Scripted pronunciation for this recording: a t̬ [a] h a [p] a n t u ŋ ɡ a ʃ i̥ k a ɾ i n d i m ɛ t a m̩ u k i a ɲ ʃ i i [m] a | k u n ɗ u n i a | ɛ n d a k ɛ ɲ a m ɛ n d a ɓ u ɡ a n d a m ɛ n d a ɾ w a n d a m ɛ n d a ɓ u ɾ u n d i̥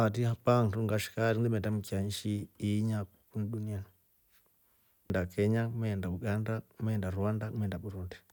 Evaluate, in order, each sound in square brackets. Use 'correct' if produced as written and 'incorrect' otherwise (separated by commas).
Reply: incorrect, correct, incorrect